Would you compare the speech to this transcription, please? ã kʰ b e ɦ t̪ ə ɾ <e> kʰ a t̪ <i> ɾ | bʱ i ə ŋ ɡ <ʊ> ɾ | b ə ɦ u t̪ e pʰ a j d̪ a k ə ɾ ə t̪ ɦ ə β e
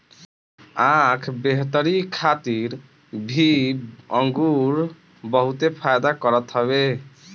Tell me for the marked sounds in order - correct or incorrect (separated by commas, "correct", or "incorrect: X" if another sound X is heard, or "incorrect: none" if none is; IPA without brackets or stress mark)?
incorrect: i, correct, incorrect: u